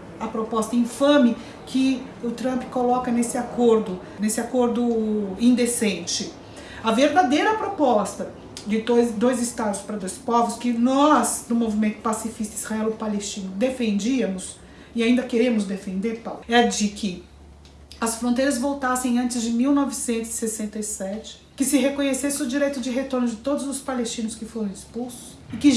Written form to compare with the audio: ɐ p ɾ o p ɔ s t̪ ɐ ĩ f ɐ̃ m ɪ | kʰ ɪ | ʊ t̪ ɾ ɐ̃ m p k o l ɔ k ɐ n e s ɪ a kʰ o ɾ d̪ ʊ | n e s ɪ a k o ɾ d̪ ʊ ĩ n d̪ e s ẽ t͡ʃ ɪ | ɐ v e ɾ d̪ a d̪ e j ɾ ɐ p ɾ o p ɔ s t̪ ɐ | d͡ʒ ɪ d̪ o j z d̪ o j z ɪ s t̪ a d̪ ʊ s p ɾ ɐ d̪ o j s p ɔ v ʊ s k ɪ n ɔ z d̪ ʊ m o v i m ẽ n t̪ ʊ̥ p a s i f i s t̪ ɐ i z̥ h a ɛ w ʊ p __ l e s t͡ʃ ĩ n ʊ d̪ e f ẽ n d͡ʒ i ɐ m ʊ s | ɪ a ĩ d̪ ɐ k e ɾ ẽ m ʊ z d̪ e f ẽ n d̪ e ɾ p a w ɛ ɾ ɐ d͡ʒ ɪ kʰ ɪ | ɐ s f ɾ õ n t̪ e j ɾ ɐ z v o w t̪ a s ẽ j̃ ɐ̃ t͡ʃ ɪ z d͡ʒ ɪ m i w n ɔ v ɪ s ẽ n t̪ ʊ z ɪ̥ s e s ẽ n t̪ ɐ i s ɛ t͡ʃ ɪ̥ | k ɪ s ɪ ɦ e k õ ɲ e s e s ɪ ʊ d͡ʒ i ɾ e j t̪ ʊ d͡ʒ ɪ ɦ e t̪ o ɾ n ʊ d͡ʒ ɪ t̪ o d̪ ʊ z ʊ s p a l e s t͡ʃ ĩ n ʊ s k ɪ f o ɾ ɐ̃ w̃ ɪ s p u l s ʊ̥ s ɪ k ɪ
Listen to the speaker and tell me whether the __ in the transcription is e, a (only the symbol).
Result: a